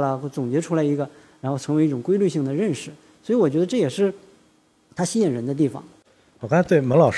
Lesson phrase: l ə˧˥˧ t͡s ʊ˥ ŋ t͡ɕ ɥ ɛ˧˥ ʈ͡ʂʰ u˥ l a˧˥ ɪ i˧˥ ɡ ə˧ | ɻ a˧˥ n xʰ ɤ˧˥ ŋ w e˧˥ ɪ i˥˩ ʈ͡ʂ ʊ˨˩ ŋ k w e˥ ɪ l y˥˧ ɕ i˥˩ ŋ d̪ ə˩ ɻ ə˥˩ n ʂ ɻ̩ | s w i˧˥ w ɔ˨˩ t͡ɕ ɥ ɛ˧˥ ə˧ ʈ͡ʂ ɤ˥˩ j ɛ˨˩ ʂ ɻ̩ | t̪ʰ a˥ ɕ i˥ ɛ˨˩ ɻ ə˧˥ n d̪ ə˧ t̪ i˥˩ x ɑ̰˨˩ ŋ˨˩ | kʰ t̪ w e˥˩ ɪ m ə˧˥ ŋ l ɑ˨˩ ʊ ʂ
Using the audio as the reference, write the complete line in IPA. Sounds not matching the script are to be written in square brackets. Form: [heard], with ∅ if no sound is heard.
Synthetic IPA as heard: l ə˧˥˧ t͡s [ʊ˨˩] ŋ t͡ɕ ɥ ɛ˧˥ ʈ͡ʂʰ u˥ l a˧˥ ɪ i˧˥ ɡ ə˧ | ɻ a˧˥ n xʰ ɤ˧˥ ŋ w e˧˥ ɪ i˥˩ ʈ͡ʂ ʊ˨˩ ŋ k w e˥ ɪ l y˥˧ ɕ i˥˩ ŋ d̪ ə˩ ɻ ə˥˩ n ʂ ɻ̩ | s w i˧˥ w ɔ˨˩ t͡ɕ ɥ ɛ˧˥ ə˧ ʈ͡ʂ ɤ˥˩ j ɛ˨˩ ʂ ɻ̩ | t̪ʰ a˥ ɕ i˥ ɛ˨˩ ɻ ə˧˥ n d̪ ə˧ t̪ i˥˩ [f] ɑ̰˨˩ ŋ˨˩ | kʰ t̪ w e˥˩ ɪ m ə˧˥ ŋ l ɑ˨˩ ʊ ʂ